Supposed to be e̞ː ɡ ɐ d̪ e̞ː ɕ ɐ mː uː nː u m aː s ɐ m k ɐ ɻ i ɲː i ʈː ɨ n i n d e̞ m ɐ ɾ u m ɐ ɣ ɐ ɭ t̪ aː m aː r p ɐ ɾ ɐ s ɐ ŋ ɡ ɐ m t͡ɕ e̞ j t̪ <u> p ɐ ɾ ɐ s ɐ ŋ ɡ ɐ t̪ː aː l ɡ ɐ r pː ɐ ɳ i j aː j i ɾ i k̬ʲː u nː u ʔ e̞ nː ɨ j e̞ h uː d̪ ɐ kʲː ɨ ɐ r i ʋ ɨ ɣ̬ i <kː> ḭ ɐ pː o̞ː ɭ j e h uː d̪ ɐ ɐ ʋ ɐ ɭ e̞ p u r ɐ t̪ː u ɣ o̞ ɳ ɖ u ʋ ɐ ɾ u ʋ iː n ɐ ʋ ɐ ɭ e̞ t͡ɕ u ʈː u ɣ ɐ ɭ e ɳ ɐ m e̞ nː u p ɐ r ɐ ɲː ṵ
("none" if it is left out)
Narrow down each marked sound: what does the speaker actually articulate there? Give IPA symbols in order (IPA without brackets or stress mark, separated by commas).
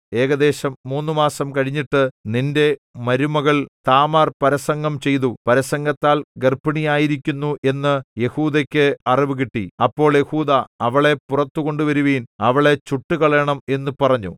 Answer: u, ʈː